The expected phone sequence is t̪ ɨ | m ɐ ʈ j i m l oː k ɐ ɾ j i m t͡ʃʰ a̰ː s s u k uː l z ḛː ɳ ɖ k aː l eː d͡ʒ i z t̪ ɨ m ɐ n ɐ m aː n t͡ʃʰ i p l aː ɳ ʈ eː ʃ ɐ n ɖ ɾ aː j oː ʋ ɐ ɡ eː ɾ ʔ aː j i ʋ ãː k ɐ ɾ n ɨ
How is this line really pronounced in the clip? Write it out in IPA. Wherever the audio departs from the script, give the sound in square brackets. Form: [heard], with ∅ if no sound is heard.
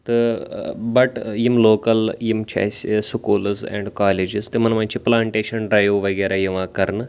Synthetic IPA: t̪ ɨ | [b] ɐ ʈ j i m l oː k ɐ [l] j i m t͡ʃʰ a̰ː s s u k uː l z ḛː ɳ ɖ k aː l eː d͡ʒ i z t̪ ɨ m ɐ n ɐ m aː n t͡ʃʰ i p l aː ɳ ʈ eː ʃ ɐ n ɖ ɾ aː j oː ʋ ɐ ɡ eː ɾ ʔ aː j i ʋ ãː k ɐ ɾ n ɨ